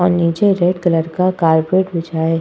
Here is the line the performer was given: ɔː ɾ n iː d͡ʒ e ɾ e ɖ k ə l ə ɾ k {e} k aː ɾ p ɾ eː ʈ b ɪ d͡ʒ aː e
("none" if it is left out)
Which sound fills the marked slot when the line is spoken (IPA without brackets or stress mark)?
a